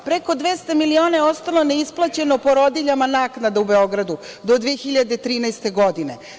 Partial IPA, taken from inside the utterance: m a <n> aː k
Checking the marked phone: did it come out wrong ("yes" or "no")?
no